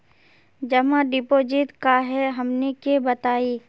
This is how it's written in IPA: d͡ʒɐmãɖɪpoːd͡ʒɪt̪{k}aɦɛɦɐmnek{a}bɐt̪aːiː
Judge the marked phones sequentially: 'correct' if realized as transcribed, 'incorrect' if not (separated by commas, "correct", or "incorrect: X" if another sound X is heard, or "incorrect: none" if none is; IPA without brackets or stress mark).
correct, incorrect: e